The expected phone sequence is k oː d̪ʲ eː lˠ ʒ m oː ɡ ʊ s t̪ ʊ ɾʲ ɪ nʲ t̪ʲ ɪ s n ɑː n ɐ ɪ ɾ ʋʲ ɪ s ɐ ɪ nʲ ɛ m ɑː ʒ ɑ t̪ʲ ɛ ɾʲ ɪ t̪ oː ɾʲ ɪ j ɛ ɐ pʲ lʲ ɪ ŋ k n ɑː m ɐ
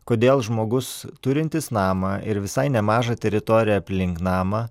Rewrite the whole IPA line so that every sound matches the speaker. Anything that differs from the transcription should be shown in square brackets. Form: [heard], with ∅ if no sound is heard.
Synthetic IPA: k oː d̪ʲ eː lˠ ʒ m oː ɡ ʊ s t̪ ʊ ɾʲ ɪ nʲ t̪ʲ ɪ s n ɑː [m] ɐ ɪ ɾ ʋʲ ɪ s ɐ ɪ nʲ ɛ m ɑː ʒ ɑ t̪ʲ ɛ ɾʲ ɪ t̪ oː ɾʲ ɪ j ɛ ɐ pʲ lʲ ɪ ŋ k n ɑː m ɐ